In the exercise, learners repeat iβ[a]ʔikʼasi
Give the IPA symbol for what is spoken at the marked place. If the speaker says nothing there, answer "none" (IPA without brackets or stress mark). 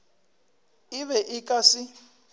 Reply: ɛ